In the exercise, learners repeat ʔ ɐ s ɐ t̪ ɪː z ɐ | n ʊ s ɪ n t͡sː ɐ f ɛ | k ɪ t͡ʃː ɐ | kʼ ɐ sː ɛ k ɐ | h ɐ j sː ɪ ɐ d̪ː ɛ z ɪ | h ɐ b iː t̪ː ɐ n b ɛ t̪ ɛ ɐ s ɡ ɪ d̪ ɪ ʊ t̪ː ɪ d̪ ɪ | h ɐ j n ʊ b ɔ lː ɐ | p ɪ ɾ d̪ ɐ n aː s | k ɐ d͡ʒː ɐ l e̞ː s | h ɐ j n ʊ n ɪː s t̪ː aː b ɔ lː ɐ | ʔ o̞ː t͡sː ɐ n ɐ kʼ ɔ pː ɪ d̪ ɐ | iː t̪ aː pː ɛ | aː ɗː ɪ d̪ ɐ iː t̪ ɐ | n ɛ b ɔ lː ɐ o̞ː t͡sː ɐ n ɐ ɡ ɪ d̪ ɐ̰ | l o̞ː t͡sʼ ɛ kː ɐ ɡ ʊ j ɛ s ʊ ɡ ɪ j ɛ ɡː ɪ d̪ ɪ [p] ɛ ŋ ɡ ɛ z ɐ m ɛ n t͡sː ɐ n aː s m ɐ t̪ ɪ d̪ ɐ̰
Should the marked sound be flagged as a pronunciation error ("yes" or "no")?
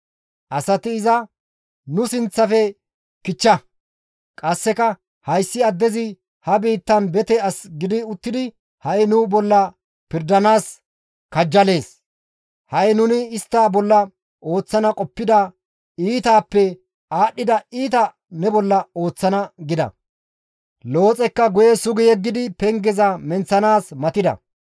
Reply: no